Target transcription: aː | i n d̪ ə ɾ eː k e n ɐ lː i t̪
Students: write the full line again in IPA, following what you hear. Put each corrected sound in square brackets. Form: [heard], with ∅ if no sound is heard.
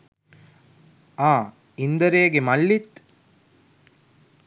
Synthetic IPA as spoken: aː | i n d̪ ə ɾ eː [ɡ] e [m] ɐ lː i t̪